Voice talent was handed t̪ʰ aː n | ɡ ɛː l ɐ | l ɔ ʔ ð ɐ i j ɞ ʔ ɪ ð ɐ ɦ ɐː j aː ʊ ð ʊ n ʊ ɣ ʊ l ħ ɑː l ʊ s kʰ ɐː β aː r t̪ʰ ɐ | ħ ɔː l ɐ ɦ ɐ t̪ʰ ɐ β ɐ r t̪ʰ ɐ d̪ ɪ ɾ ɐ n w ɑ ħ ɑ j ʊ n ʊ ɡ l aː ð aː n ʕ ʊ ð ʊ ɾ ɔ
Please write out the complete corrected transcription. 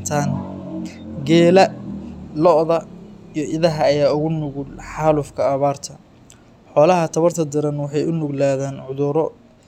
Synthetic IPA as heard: t̪ʰ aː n | ɡ ɛː l ɐ | l ɔ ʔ ð ɐ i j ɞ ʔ ɪ ð ɐ ɦ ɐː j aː ʊ ɣ ʊ n ʊ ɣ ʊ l ħ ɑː l ʊ f kʰ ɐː β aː r t̪ʰ ɐ | ħ ɔː l ɐ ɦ ɐ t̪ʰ ɐ β ɐ r t̪ʰ ɐ d̪ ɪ ɾ ɐ n w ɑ ħ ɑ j ʊ n ʊ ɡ l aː ð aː n ʕ ʊ ð ʊ ɾ ɔ